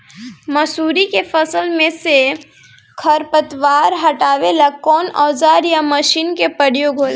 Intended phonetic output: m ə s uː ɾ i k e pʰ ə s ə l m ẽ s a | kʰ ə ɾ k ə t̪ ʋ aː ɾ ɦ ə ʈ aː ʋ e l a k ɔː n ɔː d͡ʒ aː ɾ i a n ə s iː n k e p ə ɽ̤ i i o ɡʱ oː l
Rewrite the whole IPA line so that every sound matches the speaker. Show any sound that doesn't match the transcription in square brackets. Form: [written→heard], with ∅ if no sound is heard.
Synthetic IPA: m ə s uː ɾ i k e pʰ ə s ə l m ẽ s [a→e] | kʰ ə ɾ [k→p] ə t̪ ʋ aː ɾ ɦ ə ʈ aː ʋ e l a k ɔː n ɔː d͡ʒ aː ɾ [i→j] a [n→m] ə [s→ʃ] iː n k e p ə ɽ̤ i [i→j] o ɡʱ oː l